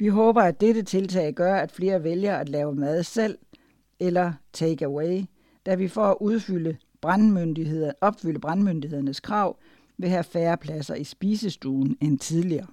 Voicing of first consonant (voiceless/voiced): voiced